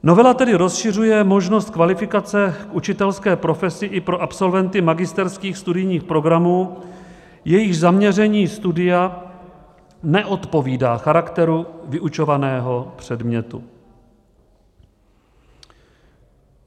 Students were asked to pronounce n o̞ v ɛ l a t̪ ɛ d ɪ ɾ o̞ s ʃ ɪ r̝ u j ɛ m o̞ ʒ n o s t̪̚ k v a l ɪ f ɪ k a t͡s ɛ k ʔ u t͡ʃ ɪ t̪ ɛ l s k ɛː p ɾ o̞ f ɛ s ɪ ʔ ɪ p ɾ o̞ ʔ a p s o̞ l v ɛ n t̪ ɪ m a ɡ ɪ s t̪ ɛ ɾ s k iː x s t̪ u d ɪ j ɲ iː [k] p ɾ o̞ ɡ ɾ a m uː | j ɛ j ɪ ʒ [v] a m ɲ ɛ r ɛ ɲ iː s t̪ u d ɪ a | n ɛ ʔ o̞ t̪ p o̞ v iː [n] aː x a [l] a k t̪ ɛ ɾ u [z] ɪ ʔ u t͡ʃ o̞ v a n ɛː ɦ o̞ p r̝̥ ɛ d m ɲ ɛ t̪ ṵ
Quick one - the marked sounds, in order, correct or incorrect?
incorrect, incorrect, incorrect, incorrect, incorrect

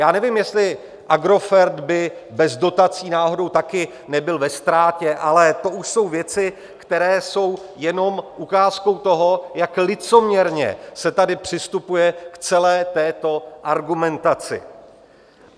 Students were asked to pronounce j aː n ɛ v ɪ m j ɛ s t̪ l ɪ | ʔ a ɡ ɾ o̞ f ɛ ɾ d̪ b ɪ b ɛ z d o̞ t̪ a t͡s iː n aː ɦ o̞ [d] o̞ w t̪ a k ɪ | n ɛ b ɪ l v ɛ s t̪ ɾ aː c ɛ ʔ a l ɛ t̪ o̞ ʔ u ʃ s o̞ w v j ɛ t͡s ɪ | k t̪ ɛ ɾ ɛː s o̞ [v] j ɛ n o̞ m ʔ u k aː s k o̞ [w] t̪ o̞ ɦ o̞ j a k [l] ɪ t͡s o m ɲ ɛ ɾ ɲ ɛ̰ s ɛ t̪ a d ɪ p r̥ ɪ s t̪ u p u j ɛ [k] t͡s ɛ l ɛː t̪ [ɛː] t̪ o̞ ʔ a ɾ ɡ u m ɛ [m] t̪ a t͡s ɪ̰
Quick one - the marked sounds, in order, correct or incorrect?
correct, incorrect, correct, correct, correct, correct, incorrect

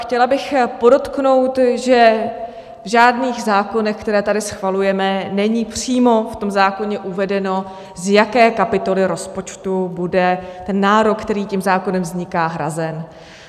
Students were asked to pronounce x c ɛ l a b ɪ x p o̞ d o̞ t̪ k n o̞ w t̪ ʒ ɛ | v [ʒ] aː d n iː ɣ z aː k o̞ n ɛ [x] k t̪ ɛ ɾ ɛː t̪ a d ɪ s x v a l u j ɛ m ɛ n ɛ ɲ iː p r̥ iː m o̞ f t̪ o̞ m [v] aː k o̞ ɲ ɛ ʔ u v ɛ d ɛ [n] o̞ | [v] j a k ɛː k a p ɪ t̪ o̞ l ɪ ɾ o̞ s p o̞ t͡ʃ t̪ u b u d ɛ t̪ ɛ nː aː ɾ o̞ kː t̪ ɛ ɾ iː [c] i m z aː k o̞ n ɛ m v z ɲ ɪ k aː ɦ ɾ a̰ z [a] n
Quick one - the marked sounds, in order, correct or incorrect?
correct, correct, incorrect, correct, incorrect, correct, incorrect

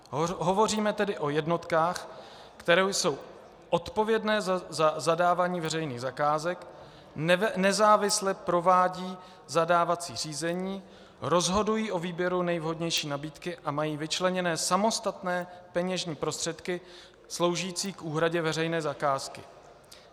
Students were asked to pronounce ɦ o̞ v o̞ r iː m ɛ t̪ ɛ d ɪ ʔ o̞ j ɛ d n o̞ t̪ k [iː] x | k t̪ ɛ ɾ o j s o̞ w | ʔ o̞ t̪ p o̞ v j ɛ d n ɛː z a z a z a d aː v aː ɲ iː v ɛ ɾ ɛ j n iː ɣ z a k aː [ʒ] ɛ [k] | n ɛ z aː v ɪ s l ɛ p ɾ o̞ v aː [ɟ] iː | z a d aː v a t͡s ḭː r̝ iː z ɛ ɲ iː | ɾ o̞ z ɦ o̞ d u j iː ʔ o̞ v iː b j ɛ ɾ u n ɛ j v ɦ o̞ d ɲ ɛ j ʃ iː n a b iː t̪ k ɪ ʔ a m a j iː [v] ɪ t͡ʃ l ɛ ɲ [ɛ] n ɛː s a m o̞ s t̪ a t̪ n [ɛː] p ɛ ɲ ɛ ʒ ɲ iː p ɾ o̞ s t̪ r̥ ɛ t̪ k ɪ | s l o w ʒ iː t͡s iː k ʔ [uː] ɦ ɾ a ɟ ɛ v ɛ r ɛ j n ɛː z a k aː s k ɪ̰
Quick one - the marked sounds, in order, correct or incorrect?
incorrect, incorrect, correct, correct, correct, correct, correct, correct

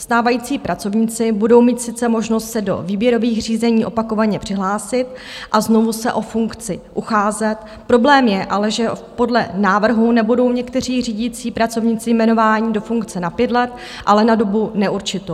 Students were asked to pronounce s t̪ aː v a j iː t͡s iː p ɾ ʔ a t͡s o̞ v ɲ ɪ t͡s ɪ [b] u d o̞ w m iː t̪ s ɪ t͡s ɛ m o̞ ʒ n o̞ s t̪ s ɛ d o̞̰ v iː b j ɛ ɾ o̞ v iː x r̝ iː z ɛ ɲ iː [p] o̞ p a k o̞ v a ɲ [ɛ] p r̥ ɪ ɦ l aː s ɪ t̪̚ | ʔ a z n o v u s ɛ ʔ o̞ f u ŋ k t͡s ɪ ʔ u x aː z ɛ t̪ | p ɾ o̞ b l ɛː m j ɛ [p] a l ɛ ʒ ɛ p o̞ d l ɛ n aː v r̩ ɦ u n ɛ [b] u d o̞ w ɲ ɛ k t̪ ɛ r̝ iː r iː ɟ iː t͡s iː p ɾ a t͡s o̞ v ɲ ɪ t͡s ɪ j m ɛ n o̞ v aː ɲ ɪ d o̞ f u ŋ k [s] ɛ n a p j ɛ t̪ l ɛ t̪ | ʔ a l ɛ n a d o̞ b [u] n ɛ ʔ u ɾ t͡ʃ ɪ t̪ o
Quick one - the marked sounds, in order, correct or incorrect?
correct, incorrect, correct, incorrect, correct, incorrect, correct

